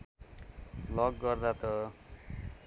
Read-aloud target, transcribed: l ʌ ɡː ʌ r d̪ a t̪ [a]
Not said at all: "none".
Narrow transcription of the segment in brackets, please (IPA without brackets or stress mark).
ʌ